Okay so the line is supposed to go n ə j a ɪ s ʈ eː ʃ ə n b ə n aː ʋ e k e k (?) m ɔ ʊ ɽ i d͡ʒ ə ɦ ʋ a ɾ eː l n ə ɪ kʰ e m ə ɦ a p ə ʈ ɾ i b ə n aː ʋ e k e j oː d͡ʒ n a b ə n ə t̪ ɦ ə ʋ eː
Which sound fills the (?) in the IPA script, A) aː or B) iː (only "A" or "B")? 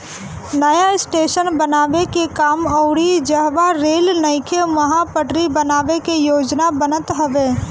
A